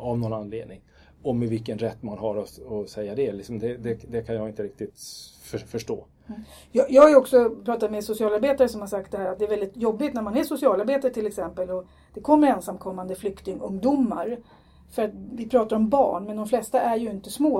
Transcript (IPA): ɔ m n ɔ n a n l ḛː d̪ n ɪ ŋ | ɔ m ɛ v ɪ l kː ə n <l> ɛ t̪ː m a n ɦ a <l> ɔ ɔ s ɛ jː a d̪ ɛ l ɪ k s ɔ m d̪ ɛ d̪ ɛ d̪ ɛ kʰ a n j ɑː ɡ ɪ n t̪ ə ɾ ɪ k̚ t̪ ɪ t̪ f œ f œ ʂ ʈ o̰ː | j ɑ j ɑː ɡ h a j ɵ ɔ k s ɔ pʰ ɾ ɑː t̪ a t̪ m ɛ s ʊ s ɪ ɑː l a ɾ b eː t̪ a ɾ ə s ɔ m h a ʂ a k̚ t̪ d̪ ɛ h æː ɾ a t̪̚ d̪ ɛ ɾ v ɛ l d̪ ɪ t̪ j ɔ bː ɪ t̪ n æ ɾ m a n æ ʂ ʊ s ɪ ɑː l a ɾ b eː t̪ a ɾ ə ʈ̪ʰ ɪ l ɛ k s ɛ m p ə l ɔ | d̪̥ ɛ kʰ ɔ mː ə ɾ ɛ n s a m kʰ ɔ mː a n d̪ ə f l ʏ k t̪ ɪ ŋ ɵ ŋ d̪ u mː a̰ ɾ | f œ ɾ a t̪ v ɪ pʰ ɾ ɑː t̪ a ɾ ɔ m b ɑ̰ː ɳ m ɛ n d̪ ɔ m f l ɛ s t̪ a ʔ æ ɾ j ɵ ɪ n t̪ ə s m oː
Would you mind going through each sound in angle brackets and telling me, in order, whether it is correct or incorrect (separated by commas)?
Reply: incorrect, incorrect